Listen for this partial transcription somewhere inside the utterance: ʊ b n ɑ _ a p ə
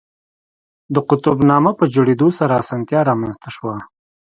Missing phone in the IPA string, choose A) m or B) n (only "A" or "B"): A